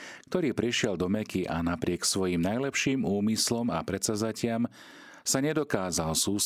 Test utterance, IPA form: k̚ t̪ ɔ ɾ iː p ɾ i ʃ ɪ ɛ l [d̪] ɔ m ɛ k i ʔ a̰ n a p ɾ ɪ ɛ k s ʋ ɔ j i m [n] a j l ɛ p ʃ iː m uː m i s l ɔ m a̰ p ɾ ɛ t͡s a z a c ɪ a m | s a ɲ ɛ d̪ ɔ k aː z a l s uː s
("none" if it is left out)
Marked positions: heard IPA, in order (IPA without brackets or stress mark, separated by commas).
d̪, n